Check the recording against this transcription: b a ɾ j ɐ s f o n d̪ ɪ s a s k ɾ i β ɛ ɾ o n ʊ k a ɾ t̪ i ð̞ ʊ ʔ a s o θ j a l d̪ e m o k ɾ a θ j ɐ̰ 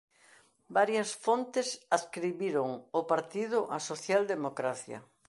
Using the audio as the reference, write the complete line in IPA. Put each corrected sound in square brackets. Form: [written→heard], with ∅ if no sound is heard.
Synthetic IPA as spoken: b a ɾ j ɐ s f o n [d̪→t̪] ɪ s a s k ɾ i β [ɛ→i] ɾ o [n→ŋ] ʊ [k→p] a ɾ t̪ i ð̞ ʊ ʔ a s o θ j a l d̪ e m o k ɾ a θ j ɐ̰

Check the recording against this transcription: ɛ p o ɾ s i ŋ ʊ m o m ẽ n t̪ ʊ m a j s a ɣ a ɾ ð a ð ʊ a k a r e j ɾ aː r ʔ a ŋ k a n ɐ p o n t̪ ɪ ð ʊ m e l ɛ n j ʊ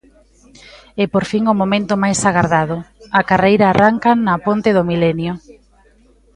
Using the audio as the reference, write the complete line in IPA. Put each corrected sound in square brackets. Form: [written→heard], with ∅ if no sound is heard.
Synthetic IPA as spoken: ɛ p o ɾ [s→f] i ŋ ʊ m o m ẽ n t̪ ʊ m a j s a ɣ a ɾ ð a ð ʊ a k a r e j ɾ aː r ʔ a ŋ k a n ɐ p o n t̪ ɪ ð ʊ m [e→i] l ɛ n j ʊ

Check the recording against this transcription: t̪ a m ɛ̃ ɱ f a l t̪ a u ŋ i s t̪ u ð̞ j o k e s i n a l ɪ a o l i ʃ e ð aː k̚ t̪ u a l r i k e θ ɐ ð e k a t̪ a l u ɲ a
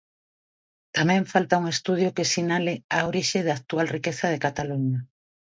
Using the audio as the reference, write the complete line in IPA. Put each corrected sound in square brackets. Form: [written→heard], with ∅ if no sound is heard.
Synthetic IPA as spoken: t̪ a m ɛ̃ ɱ f a l t̪ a u ŋ [i→e] s t̪ u ð̞ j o k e s i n a l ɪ a o [l→ɾ] i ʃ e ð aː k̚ t̪ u a l r i k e θ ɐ ð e k a t̪ a l u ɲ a

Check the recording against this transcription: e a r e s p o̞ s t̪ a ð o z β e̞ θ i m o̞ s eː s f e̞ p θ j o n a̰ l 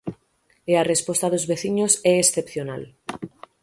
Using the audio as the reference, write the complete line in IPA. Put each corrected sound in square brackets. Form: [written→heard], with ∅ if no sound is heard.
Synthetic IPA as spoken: e a r e s p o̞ s t̪ a ð o z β e̞ θ i [m→ɲ] o̞ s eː s [f→θ] e̞ p θ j o n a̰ l

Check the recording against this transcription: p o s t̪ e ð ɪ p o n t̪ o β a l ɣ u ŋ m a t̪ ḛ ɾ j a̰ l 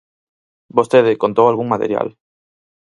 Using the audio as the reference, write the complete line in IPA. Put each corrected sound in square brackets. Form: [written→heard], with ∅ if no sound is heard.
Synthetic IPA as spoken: [p→b] o s t̪ e ð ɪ [p→k] o n t̪ o [β→w] a l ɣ u ŋ m a t̪ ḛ ɾ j a̰ l

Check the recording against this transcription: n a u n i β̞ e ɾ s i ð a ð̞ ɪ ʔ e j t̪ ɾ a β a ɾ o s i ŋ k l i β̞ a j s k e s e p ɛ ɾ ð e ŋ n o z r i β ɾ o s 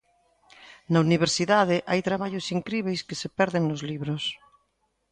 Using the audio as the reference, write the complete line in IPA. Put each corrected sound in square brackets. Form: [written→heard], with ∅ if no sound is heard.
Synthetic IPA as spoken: n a u n i β̞ e ɾ s i ð a ð̞ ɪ ʔ [e→a] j t̪ ɾ a β a [ɾ→ʎ] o s i ŋ k [l→ɾ] i β̞ [a→e] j s k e s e p ɛ ɾ ð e ŋ n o z [r→l] i β ɾ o s

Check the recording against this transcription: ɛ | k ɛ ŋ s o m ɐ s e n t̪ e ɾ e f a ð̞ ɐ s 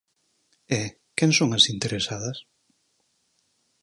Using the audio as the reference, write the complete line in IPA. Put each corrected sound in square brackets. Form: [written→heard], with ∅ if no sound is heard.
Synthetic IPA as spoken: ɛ | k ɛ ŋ s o [m→ŋ] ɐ s [e→i] n t̪ e ɾ e [f→s] a ð̞ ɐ s

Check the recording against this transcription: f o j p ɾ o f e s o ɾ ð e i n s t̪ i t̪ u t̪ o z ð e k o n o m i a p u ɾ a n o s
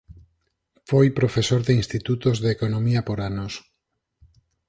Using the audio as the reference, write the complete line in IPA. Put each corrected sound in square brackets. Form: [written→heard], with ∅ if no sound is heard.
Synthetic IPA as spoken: f o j p ɾ o f e s o ɾ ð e i n s t̪ i t̪ u t̪ o z ð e k o n o m i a p [u→o] ɾ a n o s

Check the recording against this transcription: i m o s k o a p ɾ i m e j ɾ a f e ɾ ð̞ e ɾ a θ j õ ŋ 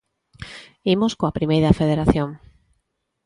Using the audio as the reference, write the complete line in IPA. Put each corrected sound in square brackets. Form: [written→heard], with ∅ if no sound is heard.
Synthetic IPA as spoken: i m o s k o a p ɾ i m e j ɾ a f e [ɾ→∅] ð̞ e ɾ a θ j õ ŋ

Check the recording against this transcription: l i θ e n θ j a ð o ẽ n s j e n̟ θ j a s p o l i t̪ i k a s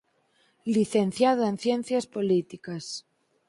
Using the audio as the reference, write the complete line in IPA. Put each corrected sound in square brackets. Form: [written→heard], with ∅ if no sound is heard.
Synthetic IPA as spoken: l i θ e n θ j a ð o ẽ n [s→θ] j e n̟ θ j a s p o l i t̪ i k a s

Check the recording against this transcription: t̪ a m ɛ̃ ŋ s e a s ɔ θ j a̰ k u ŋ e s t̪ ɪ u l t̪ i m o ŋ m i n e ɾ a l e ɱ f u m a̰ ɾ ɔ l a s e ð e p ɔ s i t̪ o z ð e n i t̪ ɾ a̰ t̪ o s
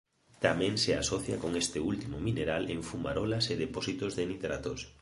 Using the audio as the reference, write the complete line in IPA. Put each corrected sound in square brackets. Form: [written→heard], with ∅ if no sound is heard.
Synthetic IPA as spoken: t̪ a m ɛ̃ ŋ s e a s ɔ θ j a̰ k [u→o] ŋ e s t̪ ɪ u l t̪ i m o [ŋ→∅] m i n e ɾ a l e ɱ f u m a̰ ɾ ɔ l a s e ð e p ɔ s i t̪ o z ð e n i t̪ ɾ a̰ t̪ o s

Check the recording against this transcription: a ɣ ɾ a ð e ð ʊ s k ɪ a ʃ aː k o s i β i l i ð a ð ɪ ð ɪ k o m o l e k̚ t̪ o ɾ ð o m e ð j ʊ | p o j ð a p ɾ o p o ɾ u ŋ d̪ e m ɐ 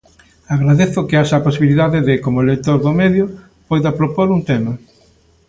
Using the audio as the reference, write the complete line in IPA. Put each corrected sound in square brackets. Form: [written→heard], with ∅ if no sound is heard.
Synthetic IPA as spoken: a ɣ ɾ a ð e [ð→θ] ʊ [s→∅] k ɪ a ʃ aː [k→p] o s i β i l i ð a ð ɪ ð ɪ k o m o l e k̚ t̪ o ɾ ð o m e ð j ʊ | p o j ð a p ɾ o p o ɾ u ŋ [d̪→t̪] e m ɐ

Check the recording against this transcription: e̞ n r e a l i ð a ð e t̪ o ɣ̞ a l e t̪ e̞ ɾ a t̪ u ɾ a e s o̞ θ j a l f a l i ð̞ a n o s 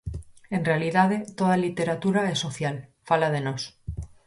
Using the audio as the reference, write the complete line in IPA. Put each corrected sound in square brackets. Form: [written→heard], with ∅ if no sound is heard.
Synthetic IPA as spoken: e̞ n r e a l i ð a ð e t̪ o [ɣ̞→ð̞] a l [e→i] t̪ e̞ ɾ a t̪ u ɾ a e s o̞ θ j a l f a l [i→a] ð̞ [a→e] n o s

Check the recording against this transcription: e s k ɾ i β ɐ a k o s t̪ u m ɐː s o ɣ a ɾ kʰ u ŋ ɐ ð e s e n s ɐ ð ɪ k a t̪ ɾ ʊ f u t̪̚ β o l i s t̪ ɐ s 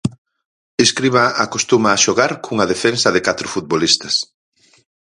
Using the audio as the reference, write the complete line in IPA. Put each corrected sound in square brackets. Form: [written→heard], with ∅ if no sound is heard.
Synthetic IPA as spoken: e s k ɾ i β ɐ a k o s t̪ u m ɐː [s→ʃ] o ɣ a ɾ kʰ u ŋ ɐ ð e [s→f] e n s ɐ ð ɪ k a t̪ ɾ ʊ f u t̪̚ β o l i s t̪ ɐ s

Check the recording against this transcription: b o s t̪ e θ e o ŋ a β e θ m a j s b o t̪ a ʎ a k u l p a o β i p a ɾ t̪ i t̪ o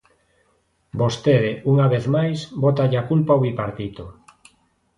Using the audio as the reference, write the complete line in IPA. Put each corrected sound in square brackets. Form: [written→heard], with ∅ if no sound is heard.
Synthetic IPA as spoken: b o s t̪ e [θ→ð] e [o→u] ŋ a β e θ m a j s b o t̪ a ʎ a k u l p a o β i p a ɾ t̪ i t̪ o

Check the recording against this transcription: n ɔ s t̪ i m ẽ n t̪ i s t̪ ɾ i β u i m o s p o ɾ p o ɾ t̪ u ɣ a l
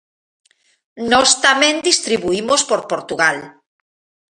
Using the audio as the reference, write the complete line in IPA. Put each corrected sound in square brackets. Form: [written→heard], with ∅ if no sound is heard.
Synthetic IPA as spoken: n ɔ s t̪ [i→a] m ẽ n [t̪→d̪] i s t̪ ɾ i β u i m o s p o ɾ p o ɾ t̪ u ɣ a l

